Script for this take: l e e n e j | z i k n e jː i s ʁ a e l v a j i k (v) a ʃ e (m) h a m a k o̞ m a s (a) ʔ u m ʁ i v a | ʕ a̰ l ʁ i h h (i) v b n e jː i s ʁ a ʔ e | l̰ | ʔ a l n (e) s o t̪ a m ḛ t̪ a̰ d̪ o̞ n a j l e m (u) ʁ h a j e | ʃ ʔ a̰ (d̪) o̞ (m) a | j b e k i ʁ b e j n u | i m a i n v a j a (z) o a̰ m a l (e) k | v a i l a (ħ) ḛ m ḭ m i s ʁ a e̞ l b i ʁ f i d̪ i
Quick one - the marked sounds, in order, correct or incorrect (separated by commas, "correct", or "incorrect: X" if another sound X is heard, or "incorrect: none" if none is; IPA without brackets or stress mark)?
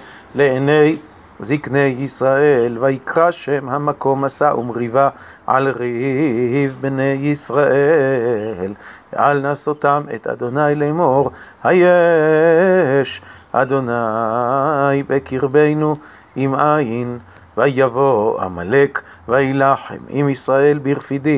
incorrect: ʁ, correct, correct, correct, incorrect: a, incorrect: o, correct, incorrect: n, incorrect: v, correct, correct